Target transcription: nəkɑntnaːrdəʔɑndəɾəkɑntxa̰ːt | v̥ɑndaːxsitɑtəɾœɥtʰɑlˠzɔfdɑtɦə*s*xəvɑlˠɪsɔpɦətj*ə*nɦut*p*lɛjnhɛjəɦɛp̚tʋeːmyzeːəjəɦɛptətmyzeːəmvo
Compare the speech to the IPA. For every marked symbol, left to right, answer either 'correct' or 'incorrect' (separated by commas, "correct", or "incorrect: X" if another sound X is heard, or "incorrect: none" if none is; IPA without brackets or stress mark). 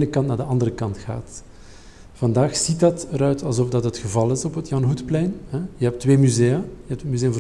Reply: incorrect: t, incorrect: ɑ, correct